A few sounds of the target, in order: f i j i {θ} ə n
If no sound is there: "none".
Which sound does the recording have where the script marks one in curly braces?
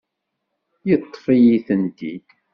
θ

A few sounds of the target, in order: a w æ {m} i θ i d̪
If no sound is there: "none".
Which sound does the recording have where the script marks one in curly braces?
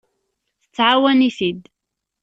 n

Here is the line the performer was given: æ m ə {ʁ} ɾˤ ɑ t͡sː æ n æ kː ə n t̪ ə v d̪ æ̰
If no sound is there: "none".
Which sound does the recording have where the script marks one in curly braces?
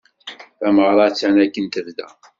ʁ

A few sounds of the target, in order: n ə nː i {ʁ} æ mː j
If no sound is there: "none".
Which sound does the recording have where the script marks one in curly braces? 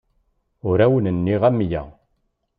ʁ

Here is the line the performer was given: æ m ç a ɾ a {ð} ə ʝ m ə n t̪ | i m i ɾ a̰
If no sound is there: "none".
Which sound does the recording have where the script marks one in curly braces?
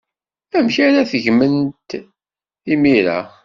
θ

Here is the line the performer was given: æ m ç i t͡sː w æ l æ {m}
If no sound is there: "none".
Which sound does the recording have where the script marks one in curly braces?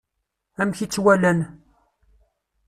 n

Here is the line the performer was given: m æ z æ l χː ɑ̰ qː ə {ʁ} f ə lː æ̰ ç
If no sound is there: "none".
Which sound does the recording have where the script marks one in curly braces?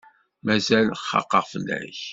ʁ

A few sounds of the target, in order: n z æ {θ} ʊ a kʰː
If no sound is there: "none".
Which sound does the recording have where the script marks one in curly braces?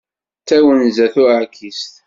θ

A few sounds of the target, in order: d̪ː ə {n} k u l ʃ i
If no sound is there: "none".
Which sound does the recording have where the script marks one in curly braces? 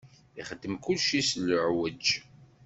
m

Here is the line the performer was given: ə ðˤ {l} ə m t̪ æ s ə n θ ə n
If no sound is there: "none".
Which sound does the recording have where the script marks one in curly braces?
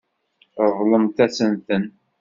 l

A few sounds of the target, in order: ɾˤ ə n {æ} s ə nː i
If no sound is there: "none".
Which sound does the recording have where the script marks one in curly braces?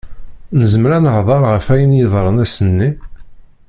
æ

